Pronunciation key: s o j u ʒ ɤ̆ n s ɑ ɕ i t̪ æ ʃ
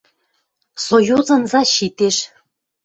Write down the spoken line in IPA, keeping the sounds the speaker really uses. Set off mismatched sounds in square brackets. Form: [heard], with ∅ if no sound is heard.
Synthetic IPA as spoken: s o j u [z] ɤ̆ n [z] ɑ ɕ i t̪ [e] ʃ